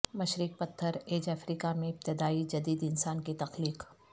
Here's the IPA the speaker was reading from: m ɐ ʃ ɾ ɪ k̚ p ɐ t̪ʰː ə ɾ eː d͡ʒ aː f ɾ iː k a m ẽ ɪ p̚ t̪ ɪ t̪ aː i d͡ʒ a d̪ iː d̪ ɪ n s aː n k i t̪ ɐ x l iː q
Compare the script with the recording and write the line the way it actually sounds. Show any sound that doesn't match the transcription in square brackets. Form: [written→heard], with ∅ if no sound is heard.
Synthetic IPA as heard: m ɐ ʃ ɾ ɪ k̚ p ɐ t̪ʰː ə ɾ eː d͡ʒ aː f ɾ iː k a m ẽ ɪ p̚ t̪ ɪ [t̪→d̪] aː i d͡ʒ [a→ɐ] d̪ iː d̪ ɪ n s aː n k i t̪ ɐ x l iː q